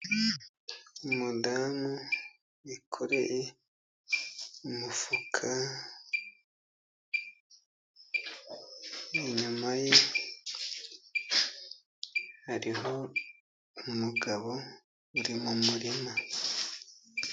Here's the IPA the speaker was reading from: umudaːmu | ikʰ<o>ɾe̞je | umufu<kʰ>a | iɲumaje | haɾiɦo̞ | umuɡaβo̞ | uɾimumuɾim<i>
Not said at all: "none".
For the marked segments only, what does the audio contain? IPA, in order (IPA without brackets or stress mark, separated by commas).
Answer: o, kʰ, a